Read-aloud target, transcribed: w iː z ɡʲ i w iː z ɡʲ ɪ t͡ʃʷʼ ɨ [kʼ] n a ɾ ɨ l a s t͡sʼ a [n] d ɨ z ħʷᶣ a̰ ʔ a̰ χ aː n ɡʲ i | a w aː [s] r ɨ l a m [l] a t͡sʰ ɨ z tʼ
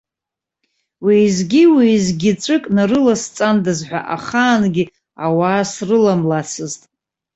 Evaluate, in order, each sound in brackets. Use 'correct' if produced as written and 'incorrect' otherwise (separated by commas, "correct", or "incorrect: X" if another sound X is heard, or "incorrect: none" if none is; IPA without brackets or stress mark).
correct, correct, correct, correct